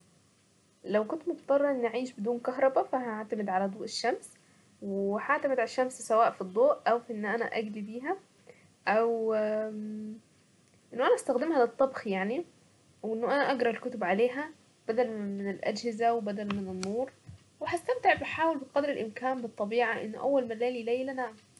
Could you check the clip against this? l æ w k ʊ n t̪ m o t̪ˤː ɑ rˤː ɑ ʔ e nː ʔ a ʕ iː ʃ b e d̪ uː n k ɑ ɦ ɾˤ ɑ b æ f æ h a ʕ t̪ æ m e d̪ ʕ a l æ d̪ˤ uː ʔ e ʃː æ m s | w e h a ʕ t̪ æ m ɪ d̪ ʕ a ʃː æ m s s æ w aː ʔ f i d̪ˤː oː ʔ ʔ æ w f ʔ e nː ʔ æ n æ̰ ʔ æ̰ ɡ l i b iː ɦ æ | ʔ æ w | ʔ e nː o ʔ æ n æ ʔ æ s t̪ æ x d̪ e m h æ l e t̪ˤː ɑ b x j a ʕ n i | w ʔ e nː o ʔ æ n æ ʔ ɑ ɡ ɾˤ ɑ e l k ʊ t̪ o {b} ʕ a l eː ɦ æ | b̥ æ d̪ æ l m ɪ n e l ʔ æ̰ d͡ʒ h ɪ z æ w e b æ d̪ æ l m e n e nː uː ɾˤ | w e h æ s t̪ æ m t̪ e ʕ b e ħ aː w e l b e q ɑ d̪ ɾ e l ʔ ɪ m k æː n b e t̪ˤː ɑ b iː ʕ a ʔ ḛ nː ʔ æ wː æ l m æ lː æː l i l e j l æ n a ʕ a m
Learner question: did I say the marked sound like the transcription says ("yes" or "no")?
yes